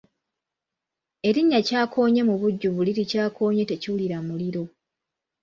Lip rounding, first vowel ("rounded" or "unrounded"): unrounded